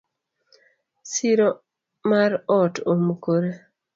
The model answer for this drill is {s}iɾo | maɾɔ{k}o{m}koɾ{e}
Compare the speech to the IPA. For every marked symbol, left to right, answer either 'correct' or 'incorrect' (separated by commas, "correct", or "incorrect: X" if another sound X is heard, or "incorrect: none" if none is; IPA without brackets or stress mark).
correct, incorrect: t, correct, correct